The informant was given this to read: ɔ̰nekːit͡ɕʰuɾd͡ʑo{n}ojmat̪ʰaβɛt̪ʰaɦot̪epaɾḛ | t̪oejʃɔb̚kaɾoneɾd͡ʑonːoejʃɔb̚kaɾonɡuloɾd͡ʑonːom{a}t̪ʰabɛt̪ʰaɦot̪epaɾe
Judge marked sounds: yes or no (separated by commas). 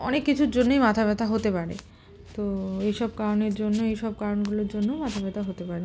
no, yes